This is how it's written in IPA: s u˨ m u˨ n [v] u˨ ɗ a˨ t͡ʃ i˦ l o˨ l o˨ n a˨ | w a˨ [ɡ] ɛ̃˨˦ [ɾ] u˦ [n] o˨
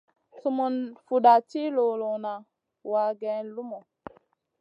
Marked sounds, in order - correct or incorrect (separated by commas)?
incorrect, correct, incorrect, incorrect